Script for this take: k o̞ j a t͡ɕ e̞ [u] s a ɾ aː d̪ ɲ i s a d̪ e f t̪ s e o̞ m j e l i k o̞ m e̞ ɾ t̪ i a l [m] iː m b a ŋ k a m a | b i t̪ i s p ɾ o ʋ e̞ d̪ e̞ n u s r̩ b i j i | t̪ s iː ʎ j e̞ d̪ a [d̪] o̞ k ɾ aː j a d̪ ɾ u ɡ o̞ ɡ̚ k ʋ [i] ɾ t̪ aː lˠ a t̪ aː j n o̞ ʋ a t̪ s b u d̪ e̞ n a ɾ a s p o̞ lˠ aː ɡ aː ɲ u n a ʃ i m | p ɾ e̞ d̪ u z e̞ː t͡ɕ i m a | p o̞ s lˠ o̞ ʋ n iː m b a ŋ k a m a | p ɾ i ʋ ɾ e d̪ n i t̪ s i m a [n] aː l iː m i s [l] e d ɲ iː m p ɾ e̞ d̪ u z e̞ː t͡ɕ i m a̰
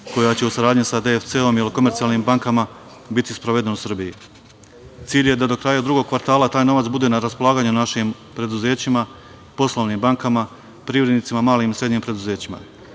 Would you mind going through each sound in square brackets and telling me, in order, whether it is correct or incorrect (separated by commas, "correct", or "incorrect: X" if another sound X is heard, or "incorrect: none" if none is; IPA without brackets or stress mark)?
correct, incorrect: n, correct, incorrect: a, incorrect: m, incorrect: ɾ